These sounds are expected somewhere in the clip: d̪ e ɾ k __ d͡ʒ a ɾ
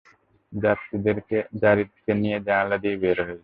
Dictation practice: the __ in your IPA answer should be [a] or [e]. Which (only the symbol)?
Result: e